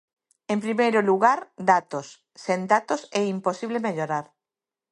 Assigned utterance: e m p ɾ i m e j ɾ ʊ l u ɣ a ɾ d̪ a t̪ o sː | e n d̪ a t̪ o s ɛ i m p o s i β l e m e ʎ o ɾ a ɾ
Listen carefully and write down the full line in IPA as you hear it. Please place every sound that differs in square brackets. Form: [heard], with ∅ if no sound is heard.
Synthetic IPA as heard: e m p ɾ i m e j ɾ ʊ l u ɣ a ɾ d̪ a t̪ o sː | e n d̪ a t̪ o s ɛ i m p o s i β l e m e ʎ o ɾ a ɾ